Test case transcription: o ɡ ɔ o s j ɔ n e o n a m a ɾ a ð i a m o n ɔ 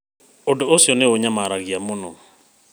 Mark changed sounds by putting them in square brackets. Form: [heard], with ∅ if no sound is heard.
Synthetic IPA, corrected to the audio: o [d] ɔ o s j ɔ n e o [ɲ] a m a ɾ a [ɣ] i a m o n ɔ